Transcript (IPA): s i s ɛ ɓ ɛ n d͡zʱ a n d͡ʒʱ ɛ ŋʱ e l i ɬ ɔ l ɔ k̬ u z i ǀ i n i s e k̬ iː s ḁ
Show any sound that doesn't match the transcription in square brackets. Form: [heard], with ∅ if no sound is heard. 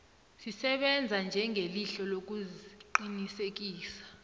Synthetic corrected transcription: s i s ɛ ɓ ɛ n d͡zʱ a n d͡ʒʱ ɛ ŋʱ e l i ɬ ɔ l [o] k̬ u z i [ǃ] i n i s e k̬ iː s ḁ